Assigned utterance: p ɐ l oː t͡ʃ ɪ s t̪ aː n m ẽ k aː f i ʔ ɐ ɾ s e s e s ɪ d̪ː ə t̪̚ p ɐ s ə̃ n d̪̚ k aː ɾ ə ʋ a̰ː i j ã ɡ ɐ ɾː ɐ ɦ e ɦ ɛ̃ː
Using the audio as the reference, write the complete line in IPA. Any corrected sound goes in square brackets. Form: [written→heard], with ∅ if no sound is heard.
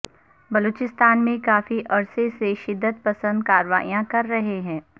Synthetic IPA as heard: [p→b] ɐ l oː t͡ʃ ɪ s t̪ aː n m ẽ k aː f i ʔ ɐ ɾ s e s e [s→ʃ] ɪ d̪ː ə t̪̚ p ɐ s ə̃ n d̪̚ k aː ɾ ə ʋ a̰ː i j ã [ɡ→k] ɐ ɾː ɐ ɦ e ɦ ɛ̃ː